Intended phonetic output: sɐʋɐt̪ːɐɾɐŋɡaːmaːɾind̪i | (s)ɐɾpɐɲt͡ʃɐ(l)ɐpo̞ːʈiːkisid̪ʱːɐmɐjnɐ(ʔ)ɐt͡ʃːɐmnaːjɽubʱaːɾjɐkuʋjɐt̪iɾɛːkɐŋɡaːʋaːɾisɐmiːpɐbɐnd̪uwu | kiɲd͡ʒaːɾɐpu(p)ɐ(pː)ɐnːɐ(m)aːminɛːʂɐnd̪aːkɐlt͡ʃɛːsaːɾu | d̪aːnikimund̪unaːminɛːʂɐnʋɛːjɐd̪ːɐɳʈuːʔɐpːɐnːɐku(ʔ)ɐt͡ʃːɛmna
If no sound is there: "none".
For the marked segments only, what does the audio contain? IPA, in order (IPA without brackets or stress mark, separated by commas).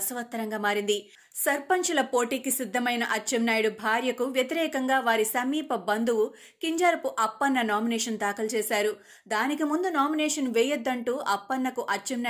s, l, ʔ, ʔ, pː, n, ʔ